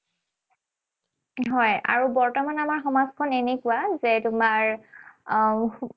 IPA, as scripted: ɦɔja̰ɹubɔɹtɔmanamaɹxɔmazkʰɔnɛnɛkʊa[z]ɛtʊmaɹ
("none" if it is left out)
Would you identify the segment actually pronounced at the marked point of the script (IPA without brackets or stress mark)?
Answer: z